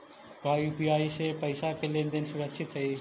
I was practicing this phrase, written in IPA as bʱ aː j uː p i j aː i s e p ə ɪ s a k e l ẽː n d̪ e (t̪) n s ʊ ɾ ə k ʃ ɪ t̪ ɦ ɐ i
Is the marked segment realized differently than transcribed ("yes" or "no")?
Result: yes